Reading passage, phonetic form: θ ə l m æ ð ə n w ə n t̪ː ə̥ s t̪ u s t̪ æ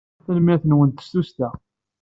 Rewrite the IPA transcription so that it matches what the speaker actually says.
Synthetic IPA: θ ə l m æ θ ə n w ə n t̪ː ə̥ s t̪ u s t̪ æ